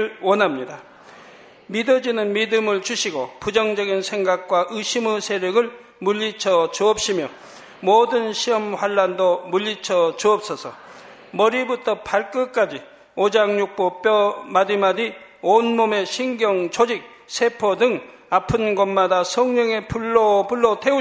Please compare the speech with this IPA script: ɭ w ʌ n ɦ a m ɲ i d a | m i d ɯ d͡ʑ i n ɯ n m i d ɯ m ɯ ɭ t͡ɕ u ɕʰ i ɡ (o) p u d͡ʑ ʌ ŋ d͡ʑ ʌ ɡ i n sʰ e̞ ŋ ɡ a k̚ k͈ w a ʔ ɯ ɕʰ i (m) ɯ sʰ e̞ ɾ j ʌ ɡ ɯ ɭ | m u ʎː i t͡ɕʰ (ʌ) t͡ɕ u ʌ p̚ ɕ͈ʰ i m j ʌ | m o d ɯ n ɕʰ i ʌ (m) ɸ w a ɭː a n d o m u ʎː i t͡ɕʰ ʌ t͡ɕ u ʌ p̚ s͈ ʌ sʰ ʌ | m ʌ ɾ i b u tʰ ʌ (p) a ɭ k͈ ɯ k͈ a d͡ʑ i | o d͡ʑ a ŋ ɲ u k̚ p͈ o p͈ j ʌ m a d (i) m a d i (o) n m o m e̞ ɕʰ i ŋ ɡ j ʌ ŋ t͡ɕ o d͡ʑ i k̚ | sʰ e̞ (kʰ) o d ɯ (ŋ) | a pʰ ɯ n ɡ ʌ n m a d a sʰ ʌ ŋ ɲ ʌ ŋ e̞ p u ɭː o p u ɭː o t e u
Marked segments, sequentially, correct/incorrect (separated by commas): correct, correct, correct, correct, incorrect, correct, correct, incorrect, correct